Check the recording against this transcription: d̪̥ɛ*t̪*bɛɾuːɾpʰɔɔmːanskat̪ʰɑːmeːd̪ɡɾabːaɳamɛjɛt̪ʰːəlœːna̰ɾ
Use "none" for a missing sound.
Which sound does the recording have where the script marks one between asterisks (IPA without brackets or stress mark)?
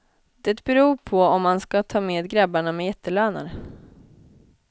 t̪